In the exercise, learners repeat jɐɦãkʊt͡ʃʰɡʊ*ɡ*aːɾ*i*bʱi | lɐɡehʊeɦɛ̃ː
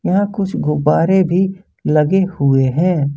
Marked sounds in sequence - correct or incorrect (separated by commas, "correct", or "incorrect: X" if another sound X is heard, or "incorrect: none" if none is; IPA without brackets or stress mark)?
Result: incorrect: b, incorrect: e